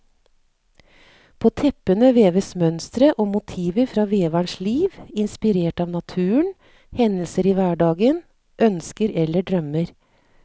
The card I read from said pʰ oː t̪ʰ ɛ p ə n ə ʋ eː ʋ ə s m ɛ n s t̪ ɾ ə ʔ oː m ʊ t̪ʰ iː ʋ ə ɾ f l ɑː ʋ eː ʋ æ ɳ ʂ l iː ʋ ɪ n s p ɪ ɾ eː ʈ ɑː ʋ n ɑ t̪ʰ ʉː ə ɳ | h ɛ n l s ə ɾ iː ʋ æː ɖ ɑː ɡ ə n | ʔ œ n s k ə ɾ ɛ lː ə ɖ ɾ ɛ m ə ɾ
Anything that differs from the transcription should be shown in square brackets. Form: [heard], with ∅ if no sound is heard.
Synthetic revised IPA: pʰ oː t̪ʰ ɛ p ə n ə ʋ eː ʋ ə s m [œ] n s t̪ ɾ ə ʔ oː m ʊ t̪ʰ iː ʋ ə ɾ f [ɾ] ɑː ʋ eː ʋ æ ɳ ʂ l iː ʋ ɪ n s p ɪ ɾ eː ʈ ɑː ʋ n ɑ t̪ʰ ʉː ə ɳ | h ɛ n l s ə ɾ iː ʋ æː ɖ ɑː ɡ ə n | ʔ œ n s k ə ɾ ɛ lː ə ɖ ɾ [œ] m ə ɾ